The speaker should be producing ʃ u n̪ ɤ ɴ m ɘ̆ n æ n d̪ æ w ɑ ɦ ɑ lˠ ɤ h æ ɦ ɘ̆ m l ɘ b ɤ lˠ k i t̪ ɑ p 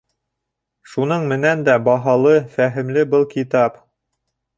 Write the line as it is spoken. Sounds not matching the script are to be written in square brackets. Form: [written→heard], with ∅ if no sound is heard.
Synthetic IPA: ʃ u n̪ ɤ ɴ m ɘ̆ n æ n d̪ æ [w→b] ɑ ɦ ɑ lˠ ɤ [h→f] æ ɦ ɘ̆ m l ɘ b ɤ lˠ k i t̪ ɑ p